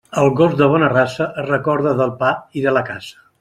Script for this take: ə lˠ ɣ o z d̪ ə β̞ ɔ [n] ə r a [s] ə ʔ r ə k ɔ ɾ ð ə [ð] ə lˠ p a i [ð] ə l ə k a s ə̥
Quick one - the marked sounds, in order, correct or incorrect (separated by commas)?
correct, correct, correct, correct